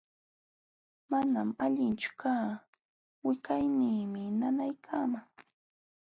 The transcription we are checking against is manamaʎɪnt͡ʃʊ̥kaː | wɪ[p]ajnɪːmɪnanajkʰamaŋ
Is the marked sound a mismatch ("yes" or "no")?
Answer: yes